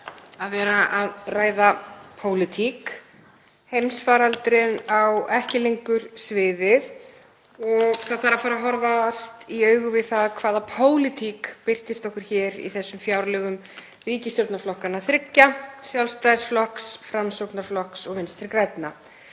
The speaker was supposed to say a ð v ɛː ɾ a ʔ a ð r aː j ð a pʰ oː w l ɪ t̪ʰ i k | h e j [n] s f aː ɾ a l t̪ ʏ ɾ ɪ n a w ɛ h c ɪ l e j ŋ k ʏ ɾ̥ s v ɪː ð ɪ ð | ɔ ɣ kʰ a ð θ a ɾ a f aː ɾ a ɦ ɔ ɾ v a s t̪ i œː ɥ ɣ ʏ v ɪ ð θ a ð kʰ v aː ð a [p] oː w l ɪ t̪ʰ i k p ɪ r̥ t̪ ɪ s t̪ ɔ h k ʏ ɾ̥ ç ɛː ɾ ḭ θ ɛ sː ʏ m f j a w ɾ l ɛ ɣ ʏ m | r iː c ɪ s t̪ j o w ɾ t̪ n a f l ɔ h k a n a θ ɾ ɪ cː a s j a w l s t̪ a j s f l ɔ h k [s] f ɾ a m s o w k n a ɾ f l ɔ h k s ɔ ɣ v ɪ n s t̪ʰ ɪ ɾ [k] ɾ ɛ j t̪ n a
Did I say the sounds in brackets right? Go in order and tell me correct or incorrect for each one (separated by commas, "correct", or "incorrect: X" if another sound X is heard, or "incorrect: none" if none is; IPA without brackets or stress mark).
incorrect: m, incorrect: pʰ, correct, correct